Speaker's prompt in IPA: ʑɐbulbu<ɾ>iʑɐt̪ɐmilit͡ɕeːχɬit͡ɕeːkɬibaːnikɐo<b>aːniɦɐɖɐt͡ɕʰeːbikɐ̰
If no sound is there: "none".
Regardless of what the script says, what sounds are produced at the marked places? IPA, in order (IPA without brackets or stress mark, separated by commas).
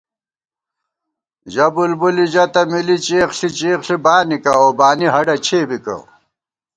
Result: l, b